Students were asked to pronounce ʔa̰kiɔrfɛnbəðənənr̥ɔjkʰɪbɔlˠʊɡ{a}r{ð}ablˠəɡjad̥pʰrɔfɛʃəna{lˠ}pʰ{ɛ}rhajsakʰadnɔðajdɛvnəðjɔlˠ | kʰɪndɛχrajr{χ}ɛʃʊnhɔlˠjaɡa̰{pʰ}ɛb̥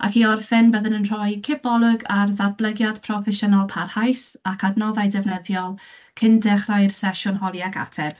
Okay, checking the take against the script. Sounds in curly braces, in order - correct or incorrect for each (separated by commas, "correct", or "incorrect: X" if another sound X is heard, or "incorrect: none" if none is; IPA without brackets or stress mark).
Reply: correct, correct, correct, incorrect: a, incorrect: s, incorrect: tʰ